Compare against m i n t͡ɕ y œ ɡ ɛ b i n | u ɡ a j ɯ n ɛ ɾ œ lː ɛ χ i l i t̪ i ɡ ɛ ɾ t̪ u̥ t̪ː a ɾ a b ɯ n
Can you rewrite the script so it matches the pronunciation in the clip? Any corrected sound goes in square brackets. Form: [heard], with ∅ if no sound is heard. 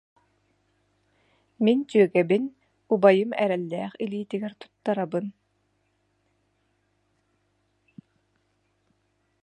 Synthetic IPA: m i n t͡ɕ y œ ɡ ɛ b i n | u [b] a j ɯ [m] ɛ ɾ [ɛ] lː [ɛː] χ i l [iː] t̪ i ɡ ɛ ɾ t̪ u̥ t̪ː a ɾ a b ɯ n